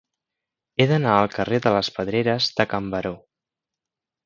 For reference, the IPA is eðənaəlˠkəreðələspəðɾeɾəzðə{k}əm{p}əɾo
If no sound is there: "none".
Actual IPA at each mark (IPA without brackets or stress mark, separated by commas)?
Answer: k, b